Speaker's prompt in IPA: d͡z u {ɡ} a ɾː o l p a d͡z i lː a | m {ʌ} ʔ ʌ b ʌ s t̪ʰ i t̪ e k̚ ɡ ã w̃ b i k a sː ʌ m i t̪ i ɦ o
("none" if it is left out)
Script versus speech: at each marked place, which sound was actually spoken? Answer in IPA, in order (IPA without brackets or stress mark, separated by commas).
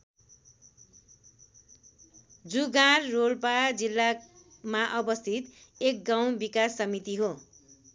ɡ, a